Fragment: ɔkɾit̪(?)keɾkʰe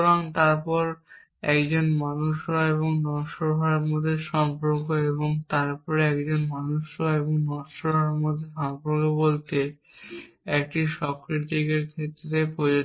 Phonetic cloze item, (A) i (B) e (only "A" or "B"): A